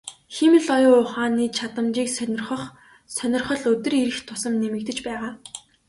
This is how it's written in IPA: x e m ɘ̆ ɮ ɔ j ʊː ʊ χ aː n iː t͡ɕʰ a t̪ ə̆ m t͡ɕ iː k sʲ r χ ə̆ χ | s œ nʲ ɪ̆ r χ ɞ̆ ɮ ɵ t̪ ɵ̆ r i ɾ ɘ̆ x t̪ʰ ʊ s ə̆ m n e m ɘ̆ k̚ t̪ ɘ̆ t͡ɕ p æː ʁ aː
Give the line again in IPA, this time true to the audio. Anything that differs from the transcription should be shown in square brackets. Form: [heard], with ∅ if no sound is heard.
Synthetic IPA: x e m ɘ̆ ɮ ɔ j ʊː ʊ χ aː n iː t͡ɕʰ a t̪ ə̆ m t͡ɕ iː k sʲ r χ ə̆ χ | s œ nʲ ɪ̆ r χ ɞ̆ ɮ ɵ t̪ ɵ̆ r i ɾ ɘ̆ x t̪ʰ ʊ s ə̆ m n e m ɘ̆ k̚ t̪ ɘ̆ t͡ɕ p æː ʁ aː